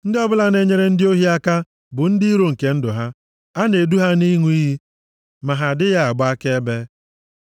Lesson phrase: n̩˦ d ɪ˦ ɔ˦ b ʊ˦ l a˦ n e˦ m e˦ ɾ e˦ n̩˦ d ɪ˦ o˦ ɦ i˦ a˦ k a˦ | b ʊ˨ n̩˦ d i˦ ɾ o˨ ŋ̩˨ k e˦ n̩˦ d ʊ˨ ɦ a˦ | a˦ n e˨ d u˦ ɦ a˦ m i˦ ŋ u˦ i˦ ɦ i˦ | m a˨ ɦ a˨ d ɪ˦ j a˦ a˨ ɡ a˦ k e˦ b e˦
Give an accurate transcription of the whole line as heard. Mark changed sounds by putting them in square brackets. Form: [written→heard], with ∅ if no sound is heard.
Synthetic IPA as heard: n̩˦ d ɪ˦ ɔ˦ b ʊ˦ l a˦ n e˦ [m→ɲ] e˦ ɾ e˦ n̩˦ d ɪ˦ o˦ ɦ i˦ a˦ k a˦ | b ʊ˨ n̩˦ d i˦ ɾ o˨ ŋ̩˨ k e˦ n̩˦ d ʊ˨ ɦ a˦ | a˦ n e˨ d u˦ ɦ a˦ [m→n] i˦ ŋ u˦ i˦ ɦ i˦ | m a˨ ɦ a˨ d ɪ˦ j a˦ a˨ [ɡ→ɡ͡b] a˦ k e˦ b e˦